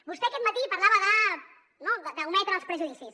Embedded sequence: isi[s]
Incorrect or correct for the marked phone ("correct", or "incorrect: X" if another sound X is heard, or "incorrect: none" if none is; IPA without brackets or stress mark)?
correct